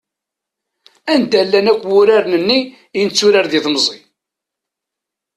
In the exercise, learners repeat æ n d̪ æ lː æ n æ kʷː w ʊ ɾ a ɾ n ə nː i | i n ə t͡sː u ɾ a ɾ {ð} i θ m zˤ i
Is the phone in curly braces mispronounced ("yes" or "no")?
no